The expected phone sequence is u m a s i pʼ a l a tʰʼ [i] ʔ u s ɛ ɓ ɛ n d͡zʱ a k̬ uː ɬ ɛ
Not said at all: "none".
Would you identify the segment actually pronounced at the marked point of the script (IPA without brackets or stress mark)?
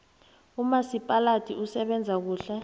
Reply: i